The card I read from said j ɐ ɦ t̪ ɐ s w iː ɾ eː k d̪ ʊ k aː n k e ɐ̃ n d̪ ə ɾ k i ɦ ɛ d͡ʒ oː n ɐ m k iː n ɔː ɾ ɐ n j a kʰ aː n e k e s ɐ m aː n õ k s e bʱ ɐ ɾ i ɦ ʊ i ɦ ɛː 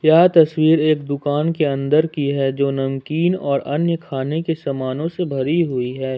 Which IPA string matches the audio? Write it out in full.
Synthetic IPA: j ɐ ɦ t̪ ɐ s w iː ɾ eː k d̪ ʊ k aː n k e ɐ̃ n d̪ ə ɾ k i ɦ ɛ d͡ʒ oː n ɐ m k iː n ɔː ɾ ɐ n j ə kʰ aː n e k e s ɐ m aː n õ s e bʱ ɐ ɾ i ɦ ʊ i ɦ ɛː